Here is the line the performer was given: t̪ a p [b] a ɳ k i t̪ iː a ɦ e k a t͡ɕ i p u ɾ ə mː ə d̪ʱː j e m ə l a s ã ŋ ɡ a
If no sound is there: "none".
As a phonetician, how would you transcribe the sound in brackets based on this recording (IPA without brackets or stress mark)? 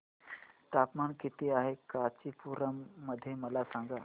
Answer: m